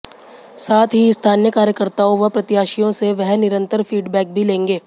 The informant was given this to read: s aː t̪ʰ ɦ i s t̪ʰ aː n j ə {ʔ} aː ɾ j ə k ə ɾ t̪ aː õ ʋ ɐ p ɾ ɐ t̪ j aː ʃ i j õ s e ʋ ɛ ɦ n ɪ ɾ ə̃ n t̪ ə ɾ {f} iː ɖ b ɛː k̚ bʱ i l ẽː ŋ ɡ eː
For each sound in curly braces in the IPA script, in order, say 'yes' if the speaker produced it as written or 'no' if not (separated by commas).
no, yes